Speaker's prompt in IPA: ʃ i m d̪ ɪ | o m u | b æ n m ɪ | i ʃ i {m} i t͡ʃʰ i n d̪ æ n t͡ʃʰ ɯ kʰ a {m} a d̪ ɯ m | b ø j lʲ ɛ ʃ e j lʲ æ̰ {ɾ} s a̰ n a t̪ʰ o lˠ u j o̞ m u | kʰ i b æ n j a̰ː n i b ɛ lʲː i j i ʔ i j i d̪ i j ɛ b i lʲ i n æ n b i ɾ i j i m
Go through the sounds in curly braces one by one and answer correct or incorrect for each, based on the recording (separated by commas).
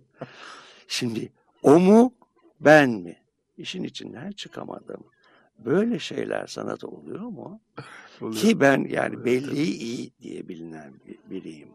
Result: incorrect, correct, correct